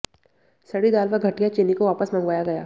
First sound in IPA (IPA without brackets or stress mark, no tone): s